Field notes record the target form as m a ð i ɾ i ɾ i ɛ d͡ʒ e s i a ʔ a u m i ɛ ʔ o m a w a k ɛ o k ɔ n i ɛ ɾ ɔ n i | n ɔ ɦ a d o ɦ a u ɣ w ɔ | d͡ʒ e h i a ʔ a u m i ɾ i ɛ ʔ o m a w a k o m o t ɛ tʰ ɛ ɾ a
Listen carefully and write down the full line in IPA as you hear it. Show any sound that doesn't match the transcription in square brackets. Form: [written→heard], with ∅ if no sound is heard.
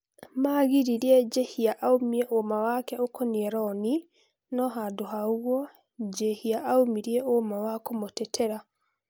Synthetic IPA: m a [ð→ɣ] i ɾ i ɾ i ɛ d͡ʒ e [s→h] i a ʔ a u m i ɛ ʔ o m a w a k ɛ o k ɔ n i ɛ ɾ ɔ n i | n ɔ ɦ a d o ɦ a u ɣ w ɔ | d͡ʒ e h i a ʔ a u m i ɾ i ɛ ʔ o m a w a k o m o t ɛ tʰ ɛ ɾ a